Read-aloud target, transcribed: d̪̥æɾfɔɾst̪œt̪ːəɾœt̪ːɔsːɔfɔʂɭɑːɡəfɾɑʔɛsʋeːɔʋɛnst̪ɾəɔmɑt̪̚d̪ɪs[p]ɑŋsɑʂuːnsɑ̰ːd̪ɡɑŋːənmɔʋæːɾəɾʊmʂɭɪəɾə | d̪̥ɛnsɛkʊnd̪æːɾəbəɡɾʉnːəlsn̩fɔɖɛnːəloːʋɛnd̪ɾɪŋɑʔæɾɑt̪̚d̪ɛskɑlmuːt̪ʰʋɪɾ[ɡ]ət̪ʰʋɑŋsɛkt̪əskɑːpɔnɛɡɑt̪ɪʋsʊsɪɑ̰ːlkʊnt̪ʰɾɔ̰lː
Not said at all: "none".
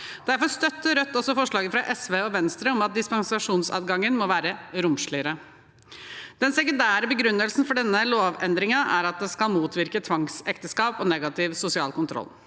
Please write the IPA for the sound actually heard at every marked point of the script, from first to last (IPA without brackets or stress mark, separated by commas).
p, k